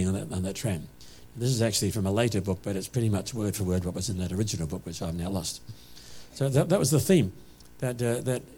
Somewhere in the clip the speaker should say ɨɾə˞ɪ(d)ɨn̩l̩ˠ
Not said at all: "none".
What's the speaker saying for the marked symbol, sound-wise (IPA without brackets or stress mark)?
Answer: d͡ʒ